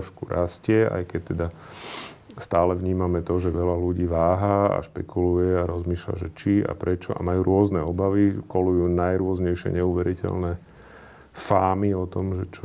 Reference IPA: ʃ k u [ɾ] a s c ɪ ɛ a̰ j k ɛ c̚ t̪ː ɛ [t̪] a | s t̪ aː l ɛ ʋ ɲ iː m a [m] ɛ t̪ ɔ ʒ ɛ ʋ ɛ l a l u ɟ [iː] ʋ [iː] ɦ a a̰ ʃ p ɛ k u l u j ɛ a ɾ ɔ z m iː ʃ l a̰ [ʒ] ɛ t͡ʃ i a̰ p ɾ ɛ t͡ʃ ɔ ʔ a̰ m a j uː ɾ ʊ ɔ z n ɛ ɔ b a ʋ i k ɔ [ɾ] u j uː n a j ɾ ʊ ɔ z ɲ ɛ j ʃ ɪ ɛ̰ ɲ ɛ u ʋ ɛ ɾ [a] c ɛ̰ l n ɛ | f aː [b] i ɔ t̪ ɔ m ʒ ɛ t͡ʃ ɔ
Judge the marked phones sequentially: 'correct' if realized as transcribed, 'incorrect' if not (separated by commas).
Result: correct, incorrect, correct, correct, incorrect, correct, incorrect, incorrect, incorrect